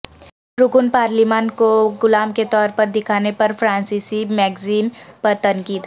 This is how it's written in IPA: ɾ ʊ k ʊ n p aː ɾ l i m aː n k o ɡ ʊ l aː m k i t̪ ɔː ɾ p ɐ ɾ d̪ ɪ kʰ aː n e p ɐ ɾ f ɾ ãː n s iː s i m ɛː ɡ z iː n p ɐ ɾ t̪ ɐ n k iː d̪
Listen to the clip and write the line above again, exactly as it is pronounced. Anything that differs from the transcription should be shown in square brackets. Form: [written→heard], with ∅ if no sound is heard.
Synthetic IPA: ɾ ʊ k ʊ n p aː ɾ l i m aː n k o ɡ ʊ l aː m k [i→e] t̪ ɔː ɾ p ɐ ɾ d̪ ɪ kʰ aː n e p ɐ ɾ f ɾ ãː n s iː s i m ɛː ɡ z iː n p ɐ ɾ t̪ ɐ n k iː d̪